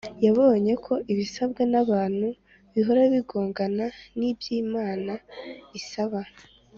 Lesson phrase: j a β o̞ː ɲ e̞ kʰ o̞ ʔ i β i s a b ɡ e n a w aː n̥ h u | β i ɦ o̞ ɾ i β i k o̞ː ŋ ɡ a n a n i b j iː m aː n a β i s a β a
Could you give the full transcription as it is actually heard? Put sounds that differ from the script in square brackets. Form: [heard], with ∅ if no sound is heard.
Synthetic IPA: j a β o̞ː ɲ e̞ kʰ o̞ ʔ i β i s a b ɡ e n a [β] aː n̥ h u | β i ɦ o̞ ɾ [a] β i [ɡ] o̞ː ŋ ɡ a n a n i b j iː m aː n a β i s a β a